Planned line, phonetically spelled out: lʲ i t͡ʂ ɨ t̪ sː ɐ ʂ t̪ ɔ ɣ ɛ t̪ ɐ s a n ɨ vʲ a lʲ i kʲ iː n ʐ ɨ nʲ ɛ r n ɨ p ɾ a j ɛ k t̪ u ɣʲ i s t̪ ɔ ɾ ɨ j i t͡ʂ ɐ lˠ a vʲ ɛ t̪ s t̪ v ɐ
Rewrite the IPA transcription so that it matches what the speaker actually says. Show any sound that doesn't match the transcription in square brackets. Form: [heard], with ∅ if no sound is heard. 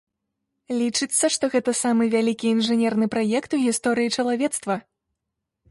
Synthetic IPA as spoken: lʲ i t͡ʂ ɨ t̪ sː ɐ ʂ t̪ ɔ ɣ ɛ t̪ ɐ s a [m] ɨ vʲ a lʲ i kʲ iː n ʐ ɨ nʲ ɛ r n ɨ p ɾ a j ɛ k t̪ u ɣʲ i s t̪ ɔ ɾ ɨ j i t͡ʂ ɐ lˠ a vʲ ɛ t̪ s t̪ v ɐ

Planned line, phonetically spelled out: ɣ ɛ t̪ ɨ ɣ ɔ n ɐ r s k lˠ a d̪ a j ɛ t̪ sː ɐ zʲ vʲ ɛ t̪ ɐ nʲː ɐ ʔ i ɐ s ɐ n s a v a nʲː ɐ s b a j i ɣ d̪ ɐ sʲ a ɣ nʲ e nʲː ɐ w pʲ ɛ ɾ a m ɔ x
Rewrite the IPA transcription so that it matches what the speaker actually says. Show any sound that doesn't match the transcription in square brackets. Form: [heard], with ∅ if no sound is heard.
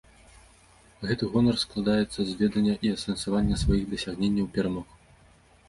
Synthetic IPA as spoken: ɣ ɛ t̪ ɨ ɣ ɔ n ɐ r s k lˠ a d̪ a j ɛ t̪ sː ɐ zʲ vʲ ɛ [d̪] ɐ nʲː ɐ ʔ i ɐ s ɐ n s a v a nʲː ɐ s [v] a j i ɣ d̪ ɐ sʲ a ɣ nʲ e nʲː ɐ w pʲ ɛ ɾ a m ɔ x

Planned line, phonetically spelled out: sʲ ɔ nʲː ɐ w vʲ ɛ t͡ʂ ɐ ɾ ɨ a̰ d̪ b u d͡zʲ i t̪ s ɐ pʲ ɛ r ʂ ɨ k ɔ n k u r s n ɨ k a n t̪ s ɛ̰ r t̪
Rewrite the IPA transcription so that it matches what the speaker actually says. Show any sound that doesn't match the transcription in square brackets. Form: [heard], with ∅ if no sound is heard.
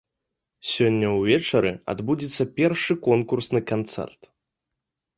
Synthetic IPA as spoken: sʲ ɔ nʲː ɐ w vʲ ɛ t͡ʂ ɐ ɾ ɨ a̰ d̪ b u d͡zʲ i t̪ [sː] ɐ pʲ ɛ r ʂ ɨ k ɔ n k u r s n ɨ k a n t̪ s ɛ̰ r t̪

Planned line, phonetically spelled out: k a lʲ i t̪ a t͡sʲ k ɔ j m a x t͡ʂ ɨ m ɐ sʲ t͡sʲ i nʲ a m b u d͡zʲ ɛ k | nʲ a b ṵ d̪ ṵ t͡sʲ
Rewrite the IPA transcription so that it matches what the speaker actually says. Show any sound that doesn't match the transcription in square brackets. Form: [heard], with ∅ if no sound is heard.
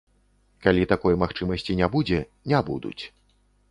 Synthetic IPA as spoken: k a lʲ i t̪ a [∅] k ɔ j m a x t͡ʂ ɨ m ɐ sʲ t͡sʲ i nʲ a [∅] b u d͡zʲ ɛ [∅] | nʲ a b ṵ d̪ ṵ t͡sʲ

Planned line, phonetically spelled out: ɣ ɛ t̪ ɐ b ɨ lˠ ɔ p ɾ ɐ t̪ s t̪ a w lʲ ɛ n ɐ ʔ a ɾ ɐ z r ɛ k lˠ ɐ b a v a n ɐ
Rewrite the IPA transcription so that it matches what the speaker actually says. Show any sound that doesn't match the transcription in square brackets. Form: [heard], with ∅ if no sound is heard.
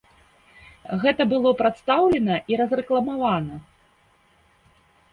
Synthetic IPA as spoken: ɣ ɛ t̪ ɐ b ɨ lˠ ɔ p ɾ [a] t̪ s t̪ a w lʲ ɛ n ɐ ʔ [i] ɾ ɐ z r ɛ k lˠ ɐ [m] a v a n ɐ

